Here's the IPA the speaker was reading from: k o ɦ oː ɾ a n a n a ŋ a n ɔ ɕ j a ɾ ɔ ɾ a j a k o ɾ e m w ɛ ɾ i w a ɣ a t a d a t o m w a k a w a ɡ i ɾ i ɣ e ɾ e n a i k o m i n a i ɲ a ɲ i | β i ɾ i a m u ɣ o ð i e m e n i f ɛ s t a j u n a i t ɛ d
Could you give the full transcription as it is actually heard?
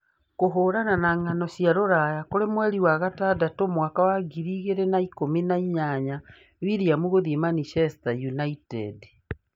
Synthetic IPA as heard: k o ɦ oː ɾ a n a n a ŋ a n ɔ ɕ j a ɾ o ɾ a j a k o ɾ e m w ɛ ɾ i w a ɣ a t a d a t o m w a k a w a ɡ i ɾ i ɣ e ɾ e n a i k o m i n a i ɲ a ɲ a | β i ɾ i a m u ɣ o ð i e m a n i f ɛ s t a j u n a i t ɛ d